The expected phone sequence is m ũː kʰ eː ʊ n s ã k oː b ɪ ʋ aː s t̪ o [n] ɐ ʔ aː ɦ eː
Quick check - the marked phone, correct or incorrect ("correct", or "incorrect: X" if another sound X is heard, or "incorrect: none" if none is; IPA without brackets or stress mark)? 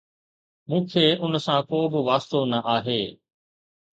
correct